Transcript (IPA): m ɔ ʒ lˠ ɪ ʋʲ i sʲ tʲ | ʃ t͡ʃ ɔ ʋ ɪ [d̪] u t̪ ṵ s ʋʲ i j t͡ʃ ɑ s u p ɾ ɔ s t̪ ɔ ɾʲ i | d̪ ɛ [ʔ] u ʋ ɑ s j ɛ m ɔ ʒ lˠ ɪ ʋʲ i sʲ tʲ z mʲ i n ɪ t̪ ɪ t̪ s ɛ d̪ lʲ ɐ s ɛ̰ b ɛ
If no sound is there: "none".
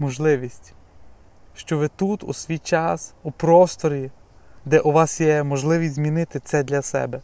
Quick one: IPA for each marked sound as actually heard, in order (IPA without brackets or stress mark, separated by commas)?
t̪, ʔ